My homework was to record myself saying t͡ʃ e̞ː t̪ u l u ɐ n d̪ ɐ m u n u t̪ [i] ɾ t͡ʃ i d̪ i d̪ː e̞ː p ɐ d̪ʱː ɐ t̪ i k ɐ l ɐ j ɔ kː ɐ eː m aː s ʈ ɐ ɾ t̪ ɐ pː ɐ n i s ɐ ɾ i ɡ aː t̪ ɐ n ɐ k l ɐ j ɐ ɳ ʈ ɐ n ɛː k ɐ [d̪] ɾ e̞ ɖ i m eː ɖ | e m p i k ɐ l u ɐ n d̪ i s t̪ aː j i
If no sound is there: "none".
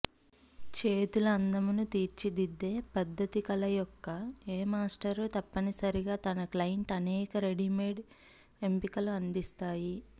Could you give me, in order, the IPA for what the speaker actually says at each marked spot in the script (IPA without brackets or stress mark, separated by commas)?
iː, none